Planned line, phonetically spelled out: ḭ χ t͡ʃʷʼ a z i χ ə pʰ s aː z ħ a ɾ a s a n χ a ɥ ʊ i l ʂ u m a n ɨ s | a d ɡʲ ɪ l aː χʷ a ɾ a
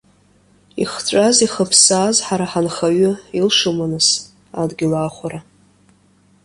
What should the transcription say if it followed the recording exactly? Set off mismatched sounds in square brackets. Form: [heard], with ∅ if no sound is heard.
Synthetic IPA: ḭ χ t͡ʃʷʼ a z i χ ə pʰ s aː z ħ a ɾ a [ħ] a n χ a ɥ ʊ i l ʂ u m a n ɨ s | a d ɡʲ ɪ l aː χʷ a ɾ a